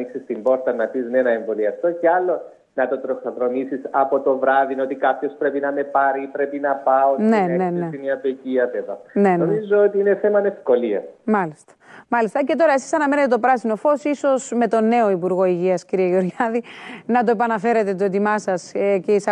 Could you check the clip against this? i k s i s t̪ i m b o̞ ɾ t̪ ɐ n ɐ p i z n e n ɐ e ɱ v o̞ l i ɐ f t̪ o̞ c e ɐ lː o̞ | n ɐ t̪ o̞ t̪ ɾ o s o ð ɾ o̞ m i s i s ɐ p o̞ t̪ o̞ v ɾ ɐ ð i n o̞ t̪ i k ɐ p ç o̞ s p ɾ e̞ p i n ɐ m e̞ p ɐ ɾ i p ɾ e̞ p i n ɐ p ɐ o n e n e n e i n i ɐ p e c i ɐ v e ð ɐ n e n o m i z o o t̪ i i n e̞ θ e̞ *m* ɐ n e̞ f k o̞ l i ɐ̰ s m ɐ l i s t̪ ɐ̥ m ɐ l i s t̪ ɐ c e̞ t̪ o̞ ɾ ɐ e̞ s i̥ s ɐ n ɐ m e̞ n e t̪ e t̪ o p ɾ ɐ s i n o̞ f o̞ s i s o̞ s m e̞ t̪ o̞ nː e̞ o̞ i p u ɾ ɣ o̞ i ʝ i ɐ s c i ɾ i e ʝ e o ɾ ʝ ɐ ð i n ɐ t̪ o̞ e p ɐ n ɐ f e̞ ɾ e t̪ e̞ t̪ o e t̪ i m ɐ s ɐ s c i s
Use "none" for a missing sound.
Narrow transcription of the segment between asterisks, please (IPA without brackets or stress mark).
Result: m